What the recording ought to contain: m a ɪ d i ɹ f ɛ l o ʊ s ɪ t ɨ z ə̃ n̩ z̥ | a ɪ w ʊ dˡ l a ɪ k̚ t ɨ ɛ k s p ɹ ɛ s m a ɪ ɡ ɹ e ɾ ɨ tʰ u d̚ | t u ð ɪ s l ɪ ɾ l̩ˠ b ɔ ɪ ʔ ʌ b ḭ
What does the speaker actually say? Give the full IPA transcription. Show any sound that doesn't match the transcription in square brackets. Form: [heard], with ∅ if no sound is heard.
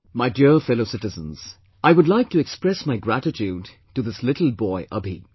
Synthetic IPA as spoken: m a ɪ d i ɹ f ɛ l o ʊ s ɪ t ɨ z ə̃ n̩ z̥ | a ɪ w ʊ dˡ l a ɪ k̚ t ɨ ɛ k s p ɹ ɛ s m a ɪ ɡ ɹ [æ] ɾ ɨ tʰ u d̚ | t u ð ɪ s l ɪ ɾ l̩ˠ b ɔ ɪ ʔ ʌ b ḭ

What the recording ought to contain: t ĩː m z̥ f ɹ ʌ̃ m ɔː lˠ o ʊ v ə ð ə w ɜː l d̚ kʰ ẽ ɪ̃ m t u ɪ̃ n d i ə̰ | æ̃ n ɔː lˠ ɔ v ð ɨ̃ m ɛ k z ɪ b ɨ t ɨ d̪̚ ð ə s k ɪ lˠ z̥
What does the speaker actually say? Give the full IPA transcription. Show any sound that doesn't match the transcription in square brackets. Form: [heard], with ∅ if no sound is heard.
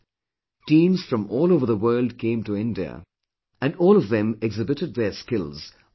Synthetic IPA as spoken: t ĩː m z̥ f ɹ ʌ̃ m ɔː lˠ o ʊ v ə ð ə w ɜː l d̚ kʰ ẽ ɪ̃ m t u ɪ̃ n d i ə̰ | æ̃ n ɔː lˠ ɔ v ð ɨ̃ m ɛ [ɡ] z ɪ b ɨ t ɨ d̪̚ ð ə s k ɪ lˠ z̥

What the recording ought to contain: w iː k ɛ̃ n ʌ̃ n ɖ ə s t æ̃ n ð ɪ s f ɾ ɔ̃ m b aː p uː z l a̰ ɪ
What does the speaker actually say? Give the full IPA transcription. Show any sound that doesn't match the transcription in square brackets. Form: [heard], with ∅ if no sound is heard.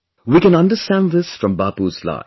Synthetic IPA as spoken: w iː k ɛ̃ n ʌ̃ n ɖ ə s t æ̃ n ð ɪ s f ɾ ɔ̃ m b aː p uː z l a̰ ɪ

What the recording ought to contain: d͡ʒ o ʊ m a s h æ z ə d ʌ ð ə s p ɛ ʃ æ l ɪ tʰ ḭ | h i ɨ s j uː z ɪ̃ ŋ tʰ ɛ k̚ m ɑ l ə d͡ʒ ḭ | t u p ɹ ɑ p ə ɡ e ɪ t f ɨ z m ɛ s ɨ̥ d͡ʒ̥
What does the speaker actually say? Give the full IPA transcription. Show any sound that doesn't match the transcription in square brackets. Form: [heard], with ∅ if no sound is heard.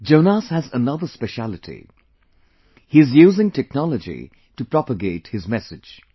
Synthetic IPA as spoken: d͡ʒ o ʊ [n] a s h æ z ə [n] ʌ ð ə s p ɛ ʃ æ l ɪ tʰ ḭ | h i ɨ [z] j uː z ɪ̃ ŋ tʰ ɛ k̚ [n] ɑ l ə d͡ʒ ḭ | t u p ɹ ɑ p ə ɡ e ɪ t [h] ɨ z m ɛ s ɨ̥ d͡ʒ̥

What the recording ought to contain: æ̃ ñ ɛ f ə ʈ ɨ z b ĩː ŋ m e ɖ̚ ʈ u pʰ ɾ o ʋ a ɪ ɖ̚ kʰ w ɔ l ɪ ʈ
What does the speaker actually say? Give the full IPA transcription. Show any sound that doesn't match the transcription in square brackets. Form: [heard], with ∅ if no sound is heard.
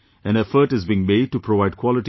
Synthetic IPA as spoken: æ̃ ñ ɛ f ə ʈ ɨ z b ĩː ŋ m e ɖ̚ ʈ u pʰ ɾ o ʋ a ɪ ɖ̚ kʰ w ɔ l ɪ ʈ

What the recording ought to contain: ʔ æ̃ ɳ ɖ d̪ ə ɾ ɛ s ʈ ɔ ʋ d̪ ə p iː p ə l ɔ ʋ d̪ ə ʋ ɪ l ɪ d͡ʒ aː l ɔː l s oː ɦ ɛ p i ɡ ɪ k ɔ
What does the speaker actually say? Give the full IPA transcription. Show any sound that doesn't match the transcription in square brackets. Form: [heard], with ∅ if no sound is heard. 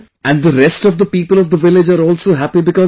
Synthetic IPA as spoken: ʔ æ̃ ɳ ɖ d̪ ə ɾ ɛ s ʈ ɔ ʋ d̪ ə p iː p ə l ɔ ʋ d̪ ə ʋ ɪ l ɪ d͡ʒ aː [ɾ] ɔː l s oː ɦ [æ] p i [b] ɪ k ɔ

